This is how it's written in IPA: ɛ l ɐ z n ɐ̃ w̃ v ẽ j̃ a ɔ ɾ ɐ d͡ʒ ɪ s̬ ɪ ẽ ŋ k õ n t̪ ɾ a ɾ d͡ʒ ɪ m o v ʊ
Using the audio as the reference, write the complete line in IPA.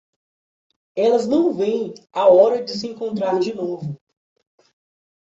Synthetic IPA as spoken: ɛ l ɐ z n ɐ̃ w̃ v ẽ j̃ a ɔ ɾ ɐ d͡ʒ ɪ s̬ ɪ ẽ ŋ k õ n t̪ ɾ a ɾ d͡ʒ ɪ n o v ʊ